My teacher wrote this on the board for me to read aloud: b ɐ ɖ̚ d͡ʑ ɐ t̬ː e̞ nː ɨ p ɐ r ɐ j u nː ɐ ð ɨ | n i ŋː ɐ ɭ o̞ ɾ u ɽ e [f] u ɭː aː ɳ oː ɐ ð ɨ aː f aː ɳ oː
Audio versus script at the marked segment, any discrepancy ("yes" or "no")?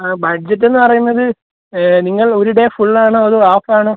no